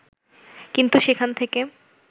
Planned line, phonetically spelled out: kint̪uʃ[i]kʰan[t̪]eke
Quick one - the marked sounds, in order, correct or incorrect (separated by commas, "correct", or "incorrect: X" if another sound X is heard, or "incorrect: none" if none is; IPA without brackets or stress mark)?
incorrect: e, incorrect: t̪ʰ